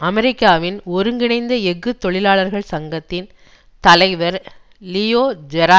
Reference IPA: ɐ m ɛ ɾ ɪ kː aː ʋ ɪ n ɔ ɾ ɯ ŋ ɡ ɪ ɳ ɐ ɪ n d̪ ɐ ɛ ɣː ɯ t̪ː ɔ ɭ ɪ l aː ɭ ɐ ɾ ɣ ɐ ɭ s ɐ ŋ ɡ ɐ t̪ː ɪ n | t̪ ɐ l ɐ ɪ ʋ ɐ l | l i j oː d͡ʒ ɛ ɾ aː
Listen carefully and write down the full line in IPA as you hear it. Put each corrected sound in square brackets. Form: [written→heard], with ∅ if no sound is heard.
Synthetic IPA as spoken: ɐ m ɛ ɾ ɪ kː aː ʋ ɪ n ɔ ɾ ɯ ŋ ɡ ɪ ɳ ɐ ɪ n d̪ ɐ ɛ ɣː ɯ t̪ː ɔ ɭ ɪ l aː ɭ ɐ ɾ ɣ ɐ ɭ s ɐ ŋ ɡ ɐ t̪ː ɪ n | t̪ ɐ l ɐ ɪ ʋ ɐ [l→ɾ] | l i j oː d͡ʒ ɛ ɾ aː

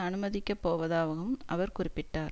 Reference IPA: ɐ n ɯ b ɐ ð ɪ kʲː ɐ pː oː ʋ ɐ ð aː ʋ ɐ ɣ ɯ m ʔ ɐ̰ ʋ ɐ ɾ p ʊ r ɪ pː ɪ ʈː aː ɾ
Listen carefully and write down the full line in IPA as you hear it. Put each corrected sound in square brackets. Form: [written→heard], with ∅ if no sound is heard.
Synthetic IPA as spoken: ɐ n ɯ [b→m] ɐ ð ɪ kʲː ɐ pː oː ʋ ɐ ð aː ʋ ɐ ɣ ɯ m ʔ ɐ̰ ʋ ɐ ɾ [p→k] ʊ r ɪ pː ɪ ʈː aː ɾ

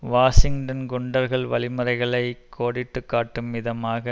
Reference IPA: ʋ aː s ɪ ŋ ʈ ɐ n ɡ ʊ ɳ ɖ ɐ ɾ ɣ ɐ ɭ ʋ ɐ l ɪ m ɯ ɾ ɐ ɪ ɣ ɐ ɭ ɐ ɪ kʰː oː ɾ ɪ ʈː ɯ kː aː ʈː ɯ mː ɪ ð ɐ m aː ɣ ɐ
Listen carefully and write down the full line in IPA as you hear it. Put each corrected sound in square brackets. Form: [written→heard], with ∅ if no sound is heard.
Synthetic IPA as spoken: ʋ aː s ɪ ŋ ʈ ɐ n ɡ ʊ ɳ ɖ ɐ ɾ ɣ ɐ ɭ ʋ ɐ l ɪ m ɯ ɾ ɐ ɪ ɣ ɐ ɭ ɐ ɪ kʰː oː [ɾ→ɽ] ɪ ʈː ɯ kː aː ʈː ɯ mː ɪ ð ɐ m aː ɣ ɐ

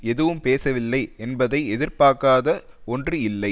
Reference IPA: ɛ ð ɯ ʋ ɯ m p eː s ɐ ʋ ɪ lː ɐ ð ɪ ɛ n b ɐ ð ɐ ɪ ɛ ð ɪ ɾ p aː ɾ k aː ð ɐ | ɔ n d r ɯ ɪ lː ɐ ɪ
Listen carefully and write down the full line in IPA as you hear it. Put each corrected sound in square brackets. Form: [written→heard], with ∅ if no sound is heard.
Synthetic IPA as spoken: ɛ ð ɯ ʋ ɯ m p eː s ɐ ʋ ɪ lː ɐ [ð→∅] ɪ ɛ n b ɐ ð ɐ ɪ ɛ ð ɪ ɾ p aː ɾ k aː ð ɐ | ɔ n d r ɯ ɪ lː ɐ ɪ

